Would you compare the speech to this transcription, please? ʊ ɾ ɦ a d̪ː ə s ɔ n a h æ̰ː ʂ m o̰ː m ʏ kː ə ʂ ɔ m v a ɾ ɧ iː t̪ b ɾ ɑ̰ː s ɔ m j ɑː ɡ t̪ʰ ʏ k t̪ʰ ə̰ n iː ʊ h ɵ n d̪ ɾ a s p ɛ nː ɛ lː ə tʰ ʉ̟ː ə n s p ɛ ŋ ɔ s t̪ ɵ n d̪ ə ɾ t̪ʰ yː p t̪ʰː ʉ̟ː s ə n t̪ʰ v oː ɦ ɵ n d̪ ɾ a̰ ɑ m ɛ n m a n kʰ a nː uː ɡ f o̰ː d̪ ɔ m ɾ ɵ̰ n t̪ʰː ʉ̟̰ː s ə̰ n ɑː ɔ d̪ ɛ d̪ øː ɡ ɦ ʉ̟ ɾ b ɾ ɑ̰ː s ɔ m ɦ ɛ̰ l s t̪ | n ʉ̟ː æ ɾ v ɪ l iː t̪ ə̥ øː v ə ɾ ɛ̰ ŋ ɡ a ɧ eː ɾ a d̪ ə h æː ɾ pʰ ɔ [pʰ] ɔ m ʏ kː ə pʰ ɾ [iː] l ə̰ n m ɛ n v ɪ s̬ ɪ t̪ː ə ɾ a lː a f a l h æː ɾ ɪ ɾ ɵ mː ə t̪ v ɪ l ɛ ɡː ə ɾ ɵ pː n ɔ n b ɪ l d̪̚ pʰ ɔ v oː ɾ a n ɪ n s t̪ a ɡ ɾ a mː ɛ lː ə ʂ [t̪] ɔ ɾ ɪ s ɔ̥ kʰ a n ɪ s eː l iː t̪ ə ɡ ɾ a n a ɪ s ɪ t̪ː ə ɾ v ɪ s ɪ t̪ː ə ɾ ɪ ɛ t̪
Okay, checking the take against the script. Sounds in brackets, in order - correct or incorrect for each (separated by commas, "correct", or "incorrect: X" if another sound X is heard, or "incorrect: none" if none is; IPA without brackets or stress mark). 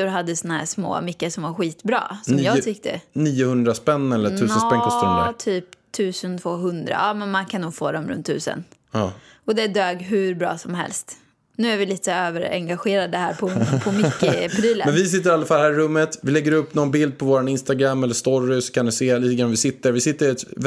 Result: correct, correct, correct